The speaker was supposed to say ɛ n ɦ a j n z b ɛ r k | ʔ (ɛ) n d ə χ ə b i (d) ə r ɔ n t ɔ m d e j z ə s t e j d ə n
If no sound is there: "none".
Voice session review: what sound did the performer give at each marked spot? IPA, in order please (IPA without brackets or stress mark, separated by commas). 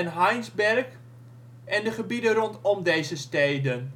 ɛ, d